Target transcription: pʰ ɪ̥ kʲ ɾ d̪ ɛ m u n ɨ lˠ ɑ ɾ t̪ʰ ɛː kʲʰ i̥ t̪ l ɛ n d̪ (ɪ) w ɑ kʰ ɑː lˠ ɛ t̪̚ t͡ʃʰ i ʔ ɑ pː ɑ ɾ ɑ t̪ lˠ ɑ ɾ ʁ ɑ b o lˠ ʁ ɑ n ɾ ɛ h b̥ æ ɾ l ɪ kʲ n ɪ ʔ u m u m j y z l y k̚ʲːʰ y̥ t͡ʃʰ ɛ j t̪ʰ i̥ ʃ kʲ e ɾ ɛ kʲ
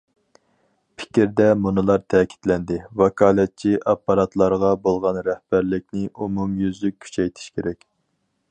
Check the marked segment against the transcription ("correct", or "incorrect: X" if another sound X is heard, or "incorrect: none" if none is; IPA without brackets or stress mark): correct